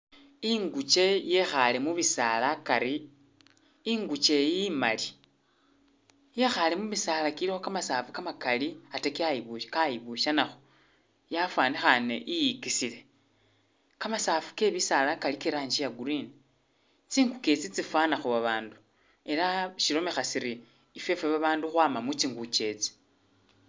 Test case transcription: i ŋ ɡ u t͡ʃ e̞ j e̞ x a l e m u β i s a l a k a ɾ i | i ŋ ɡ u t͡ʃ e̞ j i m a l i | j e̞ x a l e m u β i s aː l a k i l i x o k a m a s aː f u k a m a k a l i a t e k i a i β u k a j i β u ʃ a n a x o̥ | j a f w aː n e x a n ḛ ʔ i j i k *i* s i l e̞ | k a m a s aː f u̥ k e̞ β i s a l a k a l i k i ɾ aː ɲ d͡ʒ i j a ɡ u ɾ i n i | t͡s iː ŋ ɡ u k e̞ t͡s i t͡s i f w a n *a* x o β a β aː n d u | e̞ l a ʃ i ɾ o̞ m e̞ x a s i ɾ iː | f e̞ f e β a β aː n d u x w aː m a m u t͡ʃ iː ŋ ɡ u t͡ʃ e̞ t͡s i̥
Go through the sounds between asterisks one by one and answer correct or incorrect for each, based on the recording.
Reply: correct, correct

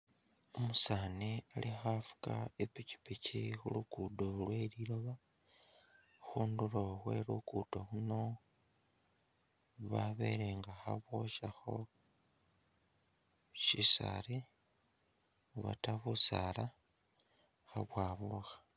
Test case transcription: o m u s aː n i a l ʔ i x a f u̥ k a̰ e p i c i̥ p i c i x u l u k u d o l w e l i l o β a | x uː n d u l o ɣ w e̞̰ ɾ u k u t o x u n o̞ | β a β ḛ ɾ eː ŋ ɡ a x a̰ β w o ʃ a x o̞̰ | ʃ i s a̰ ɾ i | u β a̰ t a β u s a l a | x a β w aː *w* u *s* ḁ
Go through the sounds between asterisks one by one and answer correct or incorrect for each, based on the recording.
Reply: incorrect: β, incorrect: x

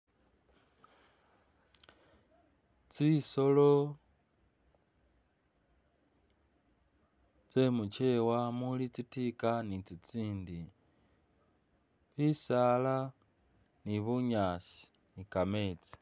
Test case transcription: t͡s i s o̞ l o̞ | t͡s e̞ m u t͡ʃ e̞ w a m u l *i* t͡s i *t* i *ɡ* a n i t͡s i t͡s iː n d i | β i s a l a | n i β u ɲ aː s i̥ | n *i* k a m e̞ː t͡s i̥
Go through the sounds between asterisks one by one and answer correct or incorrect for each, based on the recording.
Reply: correct, correct, incorrect: k, correct

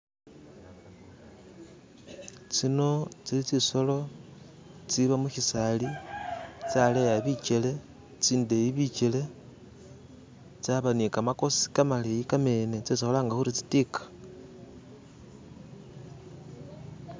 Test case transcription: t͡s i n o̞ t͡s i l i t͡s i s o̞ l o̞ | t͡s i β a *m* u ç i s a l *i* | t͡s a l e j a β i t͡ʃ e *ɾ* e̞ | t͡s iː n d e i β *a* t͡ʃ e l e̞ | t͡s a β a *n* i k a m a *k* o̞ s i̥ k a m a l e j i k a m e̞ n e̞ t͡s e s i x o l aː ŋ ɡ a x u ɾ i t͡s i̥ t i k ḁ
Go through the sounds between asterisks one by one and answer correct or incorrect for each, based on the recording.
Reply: correct, correct, incorrect: l, incorrect: i, correct, correct

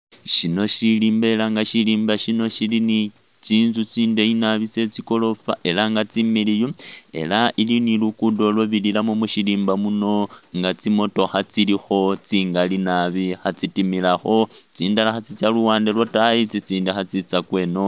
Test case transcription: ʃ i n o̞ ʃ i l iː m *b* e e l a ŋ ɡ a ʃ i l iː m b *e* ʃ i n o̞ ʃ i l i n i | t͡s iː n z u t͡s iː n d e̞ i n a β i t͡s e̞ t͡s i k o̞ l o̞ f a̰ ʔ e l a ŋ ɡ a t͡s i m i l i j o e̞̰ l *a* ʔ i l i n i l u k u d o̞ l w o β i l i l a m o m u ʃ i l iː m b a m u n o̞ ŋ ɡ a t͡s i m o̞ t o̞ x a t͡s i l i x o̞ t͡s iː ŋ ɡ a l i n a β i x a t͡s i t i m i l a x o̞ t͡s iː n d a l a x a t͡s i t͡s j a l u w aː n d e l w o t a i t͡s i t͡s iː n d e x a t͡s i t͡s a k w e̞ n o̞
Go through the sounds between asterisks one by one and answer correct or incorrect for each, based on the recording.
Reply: correct, incorrect: a, correct

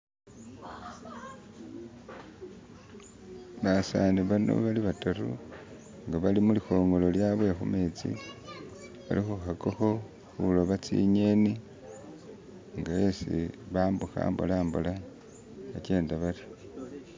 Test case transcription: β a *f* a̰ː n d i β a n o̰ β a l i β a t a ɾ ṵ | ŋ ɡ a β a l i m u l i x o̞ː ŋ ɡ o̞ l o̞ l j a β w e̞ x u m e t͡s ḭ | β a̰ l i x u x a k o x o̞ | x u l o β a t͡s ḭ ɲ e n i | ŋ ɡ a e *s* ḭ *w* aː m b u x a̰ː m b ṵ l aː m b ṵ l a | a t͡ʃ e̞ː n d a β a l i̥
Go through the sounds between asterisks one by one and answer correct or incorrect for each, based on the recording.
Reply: incorrect: s, correct, incorrect: β

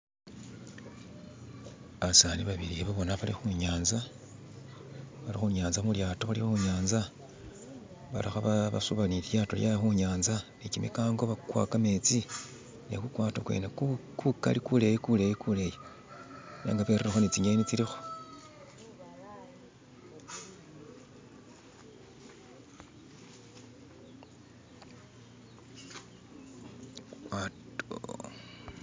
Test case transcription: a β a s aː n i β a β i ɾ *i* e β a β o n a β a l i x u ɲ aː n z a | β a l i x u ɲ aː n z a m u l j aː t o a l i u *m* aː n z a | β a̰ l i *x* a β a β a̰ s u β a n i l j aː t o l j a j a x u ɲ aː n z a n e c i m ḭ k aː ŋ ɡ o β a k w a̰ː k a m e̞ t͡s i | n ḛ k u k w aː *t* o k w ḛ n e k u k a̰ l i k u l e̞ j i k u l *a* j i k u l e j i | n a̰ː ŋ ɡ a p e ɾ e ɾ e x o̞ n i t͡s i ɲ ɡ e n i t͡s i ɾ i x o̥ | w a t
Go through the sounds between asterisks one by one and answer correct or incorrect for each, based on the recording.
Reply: correct, incorrect: ɲ, correct, correct, incorrect: e

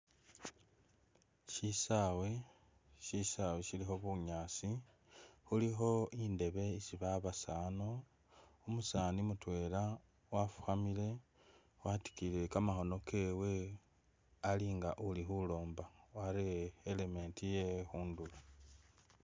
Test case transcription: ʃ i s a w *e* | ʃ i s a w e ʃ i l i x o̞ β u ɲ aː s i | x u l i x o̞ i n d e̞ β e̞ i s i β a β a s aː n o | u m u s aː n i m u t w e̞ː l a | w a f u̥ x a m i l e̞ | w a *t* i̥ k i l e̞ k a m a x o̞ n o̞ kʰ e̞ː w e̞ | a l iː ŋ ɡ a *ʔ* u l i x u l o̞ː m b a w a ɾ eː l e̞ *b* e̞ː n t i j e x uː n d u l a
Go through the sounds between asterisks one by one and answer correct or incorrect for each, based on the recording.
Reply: correct, correct, correct, incorrect: m

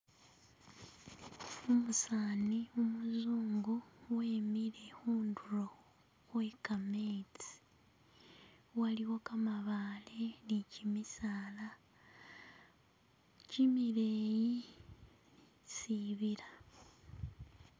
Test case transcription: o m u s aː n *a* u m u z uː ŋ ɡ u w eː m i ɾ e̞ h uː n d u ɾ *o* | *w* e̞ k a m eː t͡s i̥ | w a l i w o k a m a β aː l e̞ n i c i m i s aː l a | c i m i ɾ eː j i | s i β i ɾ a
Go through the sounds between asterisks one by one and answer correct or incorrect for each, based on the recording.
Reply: incorrect: i, correct, correct

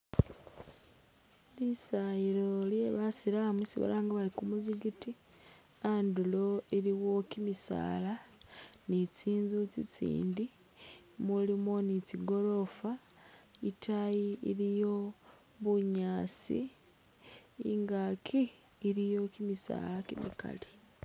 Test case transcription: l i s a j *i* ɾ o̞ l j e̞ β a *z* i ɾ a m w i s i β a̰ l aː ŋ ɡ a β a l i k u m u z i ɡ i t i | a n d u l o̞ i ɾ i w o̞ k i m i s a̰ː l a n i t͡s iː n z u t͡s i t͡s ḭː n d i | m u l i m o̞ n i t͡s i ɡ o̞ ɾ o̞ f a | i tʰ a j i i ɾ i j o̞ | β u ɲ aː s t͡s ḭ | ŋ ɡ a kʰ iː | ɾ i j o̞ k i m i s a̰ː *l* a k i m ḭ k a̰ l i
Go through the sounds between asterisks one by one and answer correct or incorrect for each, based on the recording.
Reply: correct, incorrect: s, correct

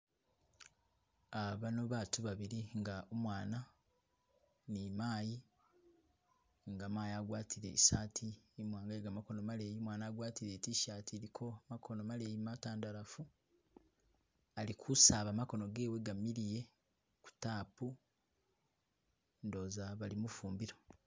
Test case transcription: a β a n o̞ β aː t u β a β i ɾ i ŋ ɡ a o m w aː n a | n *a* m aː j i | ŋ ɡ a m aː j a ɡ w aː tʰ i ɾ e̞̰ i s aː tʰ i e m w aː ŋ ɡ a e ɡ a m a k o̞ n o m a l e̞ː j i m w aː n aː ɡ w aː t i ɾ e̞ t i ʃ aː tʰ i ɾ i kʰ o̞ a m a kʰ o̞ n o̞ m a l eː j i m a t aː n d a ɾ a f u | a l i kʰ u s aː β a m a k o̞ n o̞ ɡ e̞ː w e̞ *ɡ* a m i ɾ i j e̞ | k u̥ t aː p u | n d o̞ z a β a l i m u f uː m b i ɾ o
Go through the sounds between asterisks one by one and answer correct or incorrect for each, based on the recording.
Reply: incorrect: i, correct

